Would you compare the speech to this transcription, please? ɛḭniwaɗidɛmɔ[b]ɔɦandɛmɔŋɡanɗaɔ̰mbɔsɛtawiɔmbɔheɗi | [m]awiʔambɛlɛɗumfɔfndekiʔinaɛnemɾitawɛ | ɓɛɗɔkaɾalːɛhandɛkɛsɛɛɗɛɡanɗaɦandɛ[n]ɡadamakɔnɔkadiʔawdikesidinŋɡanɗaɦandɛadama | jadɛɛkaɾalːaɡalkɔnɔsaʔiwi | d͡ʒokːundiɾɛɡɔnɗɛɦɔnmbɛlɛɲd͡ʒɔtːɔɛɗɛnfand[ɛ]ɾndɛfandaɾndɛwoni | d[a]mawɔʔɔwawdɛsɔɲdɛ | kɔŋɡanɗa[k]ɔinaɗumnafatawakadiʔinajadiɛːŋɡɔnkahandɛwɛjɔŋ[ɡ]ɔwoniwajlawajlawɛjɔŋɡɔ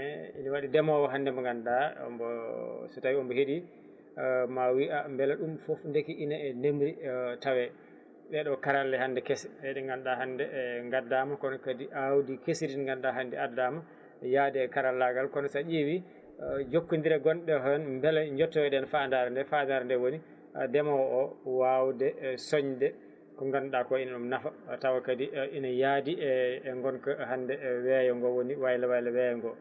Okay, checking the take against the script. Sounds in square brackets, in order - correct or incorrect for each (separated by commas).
incorrect, correct, incorrect, incorrect, incorrect, correct, correct